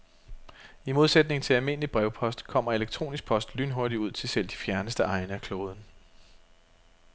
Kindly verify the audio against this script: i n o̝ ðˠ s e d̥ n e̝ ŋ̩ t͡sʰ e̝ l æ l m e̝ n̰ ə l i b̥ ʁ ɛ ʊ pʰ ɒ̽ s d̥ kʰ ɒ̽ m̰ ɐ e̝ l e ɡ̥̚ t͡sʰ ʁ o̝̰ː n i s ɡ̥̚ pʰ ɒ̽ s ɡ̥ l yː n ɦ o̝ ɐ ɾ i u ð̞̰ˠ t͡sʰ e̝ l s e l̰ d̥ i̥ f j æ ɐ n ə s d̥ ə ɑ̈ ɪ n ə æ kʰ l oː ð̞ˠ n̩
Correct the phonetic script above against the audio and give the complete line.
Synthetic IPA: i m o̝ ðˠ s e d̥ n e̝ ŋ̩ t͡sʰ e̝ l æ l m e̝ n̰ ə l i b̥ ʁ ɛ ʊ pʰ ɒ̽ s d̥ kʰ ɒ̽ m̰ ɐ e̝ l e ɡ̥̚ t͡sʰ ʁ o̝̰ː n i s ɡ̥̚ pʰ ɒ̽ s d̥ l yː n ɦ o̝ ɐ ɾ i u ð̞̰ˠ t͡sʰ e̝ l s e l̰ d̥ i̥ f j æ ɐ n ə s d̥ ə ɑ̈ ɪ n ə æ kʰ l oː ð̞ˠ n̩